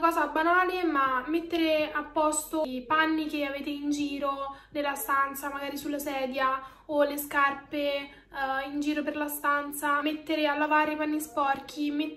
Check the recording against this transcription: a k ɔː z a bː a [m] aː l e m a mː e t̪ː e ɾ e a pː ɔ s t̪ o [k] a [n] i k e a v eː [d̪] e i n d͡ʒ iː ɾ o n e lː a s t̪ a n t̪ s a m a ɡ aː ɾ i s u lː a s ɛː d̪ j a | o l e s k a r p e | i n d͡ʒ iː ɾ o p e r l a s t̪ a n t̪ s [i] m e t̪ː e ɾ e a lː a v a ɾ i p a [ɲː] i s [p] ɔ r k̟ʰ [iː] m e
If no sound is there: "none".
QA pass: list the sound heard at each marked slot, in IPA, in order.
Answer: n, p, nː, t̪, a, nː, p, i

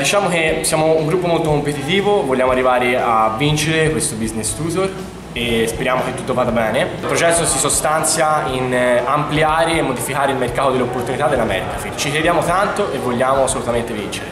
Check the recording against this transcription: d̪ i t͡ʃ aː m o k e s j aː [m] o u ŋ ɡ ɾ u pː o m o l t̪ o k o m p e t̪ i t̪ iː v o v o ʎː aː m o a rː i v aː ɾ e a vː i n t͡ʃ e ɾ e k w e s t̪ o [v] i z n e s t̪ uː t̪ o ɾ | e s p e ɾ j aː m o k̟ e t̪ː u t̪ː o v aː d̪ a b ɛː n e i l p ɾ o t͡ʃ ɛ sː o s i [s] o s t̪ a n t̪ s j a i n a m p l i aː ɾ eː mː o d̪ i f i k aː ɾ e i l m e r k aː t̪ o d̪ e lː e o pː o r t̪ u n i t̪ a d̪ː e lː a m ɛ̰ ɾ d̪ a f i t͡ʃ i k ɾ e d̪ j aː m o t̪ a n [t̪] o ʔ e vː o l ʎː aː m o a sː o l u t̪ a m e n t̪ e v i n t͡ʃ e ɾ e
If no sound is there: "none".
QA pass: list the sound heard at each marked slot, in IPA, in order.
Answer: m, b, s, t̪

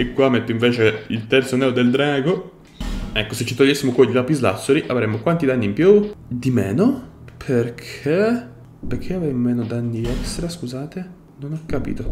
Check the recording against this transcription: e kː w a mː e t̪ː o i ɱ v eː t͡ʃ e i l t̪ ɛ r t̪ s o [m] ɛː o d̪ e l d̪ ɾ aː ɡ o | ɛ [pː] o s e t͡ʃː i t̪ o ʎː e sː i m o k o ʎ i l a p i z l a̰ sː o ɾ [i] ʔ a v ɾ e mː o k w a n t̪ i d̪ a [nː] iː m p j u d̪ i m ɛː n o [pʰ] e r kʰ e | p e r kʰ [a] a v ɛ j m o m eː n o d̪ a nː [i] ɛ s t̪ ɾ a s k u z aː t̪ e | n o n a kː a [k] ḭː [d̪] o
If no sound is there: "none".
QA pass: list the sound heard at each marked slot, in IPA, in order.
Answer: n, kː, i, nː, pʰ, e, i, p, t̪

